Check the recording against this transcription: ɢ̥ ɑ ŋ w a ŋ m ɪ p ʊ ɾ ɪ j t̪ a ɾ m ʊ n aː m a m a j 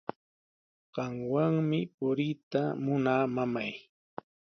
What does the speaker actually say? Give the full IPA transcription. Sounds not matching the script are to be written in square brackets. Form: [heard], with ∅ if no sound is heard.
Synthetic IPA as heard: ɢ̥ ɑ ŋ w a ŋ m ɪ p ʊ ɾ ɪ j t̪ a [∅] m ʊ n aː m a m a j